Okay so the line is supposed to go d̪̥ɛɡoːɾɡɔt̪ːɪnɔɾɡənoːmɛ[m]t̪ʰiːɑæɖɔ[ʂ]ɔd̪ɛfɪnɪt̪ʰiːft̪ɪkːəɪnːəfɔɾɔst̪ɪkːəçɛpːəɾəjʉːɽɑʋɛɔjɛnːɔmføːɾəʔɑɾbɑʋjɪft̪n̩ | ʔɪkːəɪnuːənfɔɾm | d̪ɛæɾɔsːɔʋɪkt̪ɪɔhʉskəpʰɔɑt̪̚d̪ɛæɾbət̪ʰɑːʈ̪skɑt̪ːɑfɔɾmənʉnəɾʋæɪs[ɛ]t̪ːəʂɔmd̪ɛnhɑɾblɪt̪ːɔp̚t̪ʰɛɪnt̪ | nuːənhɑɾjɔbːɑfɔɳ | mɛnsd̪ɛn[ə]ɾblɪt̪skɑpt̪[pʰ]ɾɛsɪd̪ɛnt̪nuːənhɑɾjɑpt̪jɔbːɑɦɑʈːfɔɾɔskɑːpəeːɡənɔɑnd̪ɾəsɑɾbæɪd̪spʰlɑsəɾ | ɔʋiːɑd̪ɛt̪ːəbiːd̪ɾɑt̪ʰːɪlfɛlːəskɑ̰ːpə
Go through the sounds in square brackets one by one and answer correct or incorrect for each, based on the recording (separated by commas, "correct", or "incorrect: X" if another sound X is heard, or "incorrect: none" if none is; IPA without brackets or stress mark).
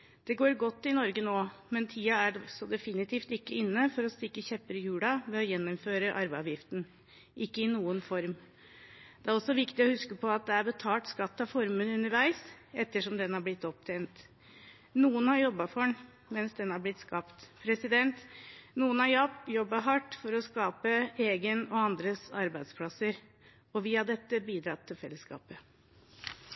incorrect: n, incorrect: s, correct, incorrect: ɑ, correct